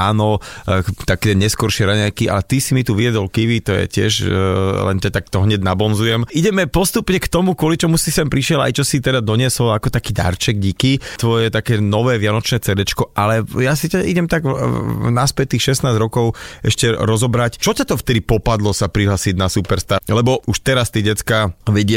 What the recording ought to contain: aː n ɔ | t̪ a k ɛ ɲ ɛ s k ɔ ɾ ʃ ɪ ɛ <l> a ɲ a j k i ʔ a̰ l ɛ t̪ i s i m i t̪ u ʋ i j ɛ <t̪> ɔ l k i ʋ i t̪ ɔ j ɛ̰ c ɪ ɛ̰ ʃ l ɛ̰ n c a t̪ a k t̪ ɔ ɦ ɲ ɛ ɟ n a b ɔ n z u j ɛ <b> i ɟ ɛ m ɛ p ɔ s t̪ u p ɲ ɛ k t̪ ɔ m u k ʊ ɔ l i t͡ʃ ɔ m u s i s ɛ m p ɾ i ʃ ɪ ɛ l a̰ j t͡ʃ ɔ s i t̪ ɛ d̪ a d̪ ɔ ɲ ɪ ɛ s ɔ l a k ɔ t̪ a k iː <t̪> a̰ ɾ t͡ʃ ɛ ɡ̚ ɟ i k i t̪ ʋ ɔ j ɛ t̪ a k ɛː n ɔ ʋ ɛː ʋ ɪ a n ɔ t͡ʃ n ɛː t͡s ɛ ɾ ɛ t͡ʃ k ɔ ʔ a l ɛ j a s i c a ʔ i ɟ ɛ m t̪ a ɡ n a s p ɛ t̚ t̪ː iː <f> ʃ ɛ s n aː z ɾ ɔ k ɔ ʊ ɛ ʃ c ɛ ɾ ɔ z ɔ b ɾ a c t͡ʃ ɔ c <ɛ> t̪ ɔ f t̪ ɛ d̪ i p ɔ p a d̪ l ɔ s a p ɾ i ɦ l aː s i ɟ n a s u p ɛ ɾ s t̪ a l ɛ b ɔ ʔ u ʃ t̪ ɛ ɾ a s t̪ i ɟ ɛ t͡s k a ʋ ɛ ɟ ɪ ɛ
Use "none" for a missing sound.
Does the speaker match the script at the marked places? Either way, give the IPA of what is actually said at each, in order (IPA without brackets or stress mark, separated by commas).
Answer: ɾ, d̪, m, d̪, x, a